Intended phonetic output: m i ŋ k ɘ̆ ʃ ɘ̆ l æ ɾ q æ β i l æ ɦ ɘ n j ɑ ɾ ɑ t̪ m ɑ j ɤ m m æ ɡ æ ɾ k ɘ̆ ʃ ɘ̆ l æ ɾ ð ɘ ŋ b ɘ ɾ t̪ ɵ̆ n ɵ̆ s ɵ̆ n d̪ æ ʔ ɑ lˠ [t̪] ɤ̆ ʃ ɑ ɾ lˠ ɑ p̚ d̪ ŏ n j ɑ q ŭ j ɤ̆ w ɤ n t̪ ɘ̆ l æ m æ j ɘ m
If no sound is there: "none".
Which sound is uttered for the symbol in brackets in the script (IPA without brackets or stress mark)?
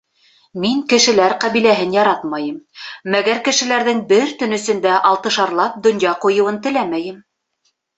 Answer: t̪